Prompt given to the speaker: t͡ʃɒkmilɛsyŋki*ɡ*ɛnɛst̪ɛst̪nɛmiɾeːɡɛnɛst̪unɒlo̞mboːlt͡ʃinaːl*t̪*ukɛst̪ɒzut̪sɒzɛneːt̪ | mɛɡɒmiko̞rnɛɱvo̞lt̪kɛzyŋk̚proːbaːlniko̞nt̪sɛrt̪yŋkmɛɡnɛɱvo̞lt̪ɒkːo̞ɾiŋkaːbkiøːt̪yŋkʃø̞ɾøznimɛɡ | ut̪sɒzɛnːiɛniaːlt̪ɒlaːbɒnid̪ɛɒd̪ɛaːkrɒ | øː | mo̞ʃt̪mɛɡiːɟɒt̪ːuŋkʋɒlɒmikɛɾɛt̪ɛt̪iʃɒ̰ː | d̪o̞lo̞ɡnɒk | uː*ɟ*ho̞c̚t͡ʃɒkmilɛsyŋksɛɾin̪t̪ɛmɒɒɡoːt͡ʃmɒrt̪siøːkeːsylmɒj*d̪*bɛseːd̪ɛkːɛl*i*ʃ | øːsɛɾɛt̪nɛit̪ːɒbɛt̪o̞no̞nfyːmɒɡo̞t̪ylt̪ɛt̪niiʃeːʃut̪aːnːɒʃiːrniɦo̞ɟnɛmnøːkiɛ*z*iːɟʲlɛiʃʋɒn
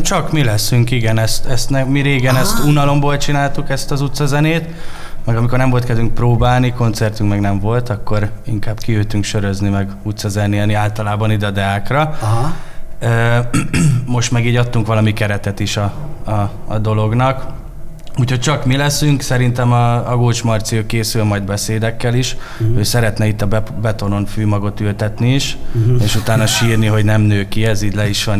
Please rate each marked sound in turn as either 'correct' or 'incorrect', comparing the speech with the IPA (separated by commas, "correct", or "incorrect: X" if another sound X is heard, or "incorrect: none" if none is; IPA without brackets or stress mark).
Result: correct, correct, incorrect: c, correct, correct, correct